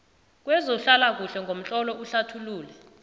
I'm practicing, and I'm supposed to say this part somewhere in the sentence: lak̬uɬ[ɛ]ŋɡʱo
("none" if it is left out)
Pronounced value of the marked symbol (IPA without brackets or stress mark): ɛ